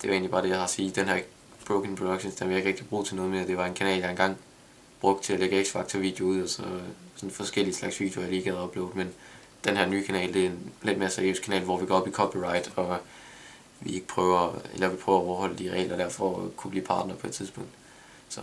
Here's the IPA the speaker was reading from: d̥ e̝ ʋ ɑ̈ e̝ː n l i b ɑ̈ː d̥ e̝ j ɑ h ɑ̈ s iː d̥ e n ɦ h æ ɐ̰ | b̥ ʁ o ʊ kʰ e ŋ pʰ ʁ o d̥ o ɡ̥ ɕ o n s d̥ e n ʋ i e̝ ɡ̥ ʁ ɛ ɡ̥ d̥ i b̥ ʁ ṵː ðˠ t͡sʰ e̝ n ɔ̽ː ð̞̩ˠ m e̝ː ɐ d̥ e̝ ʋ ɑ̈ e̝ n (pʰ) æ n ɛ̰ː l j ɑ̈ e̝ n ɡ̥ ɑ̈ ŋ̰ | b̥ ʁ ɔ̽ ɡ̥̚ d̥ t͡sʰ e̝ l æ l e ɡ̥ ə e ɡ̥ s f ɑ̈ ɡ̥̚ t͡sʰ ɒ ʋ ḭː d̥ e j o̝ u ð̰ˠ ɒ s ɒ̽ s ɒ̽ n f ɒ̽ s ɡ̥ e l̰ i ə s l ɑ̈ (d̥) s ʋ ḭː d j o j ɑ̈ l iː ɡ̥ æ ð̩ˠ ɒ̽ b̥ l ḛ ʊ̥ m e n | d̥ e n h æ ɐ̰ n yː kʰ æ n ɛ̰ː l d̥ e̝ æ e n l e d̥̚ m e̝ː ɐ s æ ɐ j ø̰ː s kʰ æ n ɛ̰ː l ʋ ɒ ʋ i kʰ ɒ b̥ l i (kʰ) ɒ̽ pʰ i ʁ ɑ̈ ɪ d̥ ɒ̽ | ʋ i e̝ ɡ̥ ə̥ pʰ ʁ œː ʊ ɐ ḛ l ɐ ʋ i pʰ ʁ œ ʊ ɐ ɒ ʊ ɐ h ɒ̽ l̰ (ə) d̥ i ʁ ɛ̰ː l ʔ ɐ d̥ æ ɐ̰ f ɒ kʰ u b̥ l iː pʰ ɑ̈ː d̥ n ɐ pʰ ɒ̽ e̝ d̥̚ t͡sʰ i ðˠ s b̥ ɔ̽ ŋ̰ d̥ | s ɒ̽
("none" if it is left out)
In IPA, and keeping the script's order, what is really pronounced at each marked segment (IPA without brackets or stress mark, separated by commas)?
kʰ, ɡ̥, kʰ, ə